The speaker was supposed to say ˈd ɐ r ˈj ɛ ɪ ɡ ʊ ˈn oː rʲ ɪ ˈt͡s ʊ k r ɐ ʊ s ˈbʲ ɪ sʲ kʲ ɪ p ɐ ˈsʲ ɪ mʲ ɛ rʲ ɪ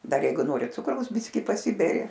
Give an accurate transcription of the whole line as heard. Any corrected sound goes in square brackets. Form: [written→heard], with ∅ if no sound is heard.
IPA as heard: ˈd ɐ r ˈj ɛ ɪ ɡ ʊ ˈn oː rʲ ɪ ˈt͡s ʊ k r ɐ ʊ s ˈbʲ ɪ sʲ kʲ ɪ p ɐ ˈsʲ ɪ [mʲ→bʲ] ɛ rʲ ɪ

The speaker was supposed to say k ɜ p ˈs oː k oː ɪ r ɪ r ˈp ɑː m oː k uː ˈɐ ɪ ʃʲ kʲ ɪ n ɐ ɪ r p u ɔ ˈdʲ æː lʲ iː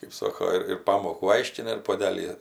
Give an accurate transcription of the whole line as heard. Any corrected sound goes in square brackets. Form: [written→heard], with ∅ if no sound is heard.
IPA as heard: k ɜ p ˈs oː k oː ɪ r ɪ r ˈp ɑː m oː k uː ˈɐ ɪ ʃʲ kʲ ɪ n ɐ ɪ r p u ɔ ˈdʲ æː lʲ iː

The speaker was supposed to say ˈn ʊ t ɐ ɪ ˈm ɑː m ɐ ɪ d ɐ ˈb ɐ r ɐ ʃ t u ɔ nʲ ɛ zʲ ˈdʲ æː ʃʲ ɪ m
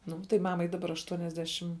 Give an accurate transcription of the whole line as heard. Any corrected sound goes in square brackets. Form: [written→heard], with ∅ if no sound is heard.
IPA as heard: ˈn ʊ t ɐ ɪ ˈm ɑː m ɐ ɪ d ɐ ˈb ɐ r ɐ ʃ t u ɔ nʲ ɛ zʲ ˈdʲ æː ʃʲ ɪ m

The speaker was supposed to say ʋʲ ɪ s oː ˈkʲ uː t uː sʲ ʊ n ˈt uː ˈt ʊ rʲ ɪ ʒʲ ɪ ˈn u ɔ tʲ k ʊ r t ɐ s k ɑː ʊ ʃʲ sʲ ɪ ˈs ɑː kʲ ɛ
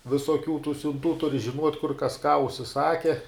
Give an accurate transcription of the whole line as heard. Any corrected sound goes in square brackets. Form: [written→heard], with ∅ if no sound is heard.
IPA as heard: ʋʲ ɪ s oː ˈkʲ uː t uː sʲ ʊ n ˈt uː ˈt ʊ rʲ ɪ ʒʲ ɪ ˈn u ɔ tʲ k ʊ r [t→k] ɐ s k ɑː ʊ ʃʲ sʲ ɪ ˈs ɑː kʲ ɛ

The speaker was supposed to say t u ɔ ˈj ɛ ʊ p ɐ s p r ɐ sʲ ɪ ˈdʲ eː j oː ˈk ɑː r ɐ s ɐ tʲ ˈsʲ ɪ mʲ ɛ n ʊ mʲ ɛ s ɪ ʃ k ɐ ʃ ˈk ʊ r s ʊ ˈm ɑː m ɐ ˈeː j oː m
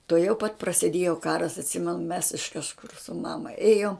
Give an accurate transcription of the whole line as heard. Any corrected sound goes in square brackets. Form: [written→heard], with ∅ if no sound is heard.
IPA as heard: t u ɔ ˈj ɛ ʊ p ɐ [s→t] p r ɐ sʲ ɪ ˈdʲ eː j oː ˈk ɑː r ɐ s ɐ tʲ ˈsʲ ɪ mʲ ɛ n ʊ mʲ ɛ s ɪ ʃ k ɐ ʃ ˈk ʊ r s ʊ ˈm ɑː m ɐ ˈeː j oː m

